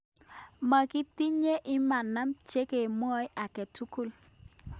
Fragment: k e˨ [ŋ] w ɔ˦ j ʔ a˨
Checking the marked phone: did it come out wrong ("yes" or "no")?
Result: yes